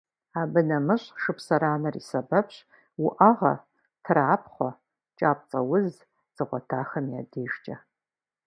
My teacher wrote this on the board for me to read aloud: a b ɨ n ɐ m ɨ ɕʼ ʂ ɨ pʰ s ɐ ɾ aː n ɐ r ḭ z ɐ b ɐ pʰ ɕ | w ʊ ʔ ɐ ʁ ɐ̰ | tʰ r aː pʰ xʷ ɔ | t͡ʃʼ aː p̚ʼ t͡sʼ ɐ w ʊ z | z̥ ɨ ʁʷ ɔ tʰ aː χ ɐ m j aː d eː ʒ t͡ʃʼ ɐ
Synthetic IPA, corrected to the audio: a b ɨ n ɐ m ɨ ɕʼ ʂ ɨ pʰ s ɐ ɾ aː n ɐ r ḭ s ɐ b ɐ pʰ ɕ | w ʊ ʔ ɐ ʁ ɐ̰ | tʰ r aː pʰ χʷ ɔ | t͡ʃʼ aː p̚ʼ t͡sʼ ɐ w ʊ z | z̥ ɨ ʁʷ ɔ tʰ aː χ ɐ m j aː d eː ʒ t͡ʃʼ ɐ